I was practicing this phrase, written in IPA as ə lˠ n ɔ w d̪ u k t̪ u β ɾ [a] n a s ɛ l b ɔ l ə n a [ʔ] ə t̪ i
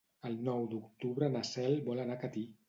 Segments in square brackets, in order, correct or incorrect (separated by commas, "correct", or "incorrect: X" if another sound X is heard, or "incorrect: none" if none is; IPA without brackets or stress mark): incorrect: ə, incorrect: k